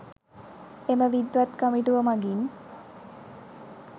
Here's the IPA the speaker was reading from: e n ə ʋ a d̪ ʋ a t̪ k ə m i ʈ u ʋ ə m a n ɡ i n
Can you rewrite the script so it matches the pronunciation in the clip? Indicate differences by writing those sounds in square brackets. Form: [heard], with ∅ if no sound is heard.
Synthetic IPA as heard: e [m] ə ʋ [i] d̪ ʋ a t̪ k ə m i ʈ u ʋ ə m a [∅] ɡ i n